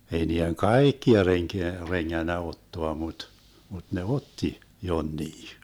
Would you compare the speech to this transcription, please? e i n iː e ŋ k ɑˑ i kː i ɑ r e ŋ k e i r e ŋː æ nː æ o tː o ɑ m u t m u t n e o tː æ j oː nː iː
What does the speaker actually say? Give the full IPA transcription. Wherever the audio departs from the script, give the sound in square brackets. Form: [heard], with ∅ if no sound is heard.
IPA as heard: e i n iː e ŋ k ɑˑ i kː i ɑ r e ŋ k e [æ] r e ŋː æ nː æ o tː o ɑ m u t m u t n e o tː [i] j [o] nː iː